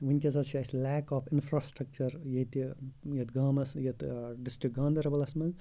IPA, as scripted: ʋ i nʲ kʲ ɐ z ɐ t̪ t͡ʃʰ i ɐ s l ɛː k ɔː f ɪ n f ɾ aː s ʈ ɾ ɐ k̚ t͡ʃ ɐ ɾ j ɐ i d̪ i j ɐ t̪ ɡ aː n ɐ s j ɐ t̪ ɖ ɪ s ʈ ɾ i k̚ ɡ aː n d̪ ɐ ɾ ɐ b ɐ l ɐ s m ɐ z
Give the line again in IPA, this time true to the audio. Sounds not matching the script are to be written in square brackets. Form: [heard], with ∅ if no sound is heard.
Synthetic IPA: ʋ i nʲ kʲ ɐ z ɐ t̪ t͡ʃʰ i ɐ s l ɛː k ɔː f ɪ n f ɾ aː s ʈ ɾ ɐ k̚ t͡ʃ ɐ ɾ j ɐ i [t̪] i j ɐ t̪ ɡ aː [m] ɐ s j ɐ t̪ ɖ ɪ s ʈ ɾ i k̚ ɡ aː n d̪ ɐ ɾ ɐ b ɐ l ɐ s m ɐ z